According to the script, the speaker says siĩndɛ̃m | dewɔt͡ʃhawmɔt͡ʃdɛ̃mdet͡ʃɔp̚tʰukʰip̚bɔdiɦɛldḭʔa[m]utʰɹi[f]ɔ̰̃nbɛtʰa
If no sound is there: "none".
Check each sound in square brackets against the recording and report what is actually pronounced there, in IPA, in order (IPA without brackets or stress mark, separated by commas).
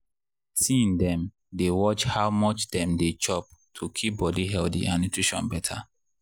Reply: n, ʃ